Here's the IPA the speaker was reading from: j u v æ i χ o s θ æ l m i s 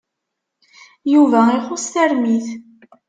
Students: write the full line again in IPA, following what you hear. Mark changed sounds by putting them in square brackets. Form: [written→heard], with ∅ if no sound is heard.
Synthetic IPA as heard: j u v æ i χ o s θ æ [l→ɾ] m i [s→θ]